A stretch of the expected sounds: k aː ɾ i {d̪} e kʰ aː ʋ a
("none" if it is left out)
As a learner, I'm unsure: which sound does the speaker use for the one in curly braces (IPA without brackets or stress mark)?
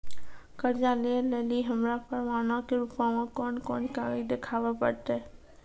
d̪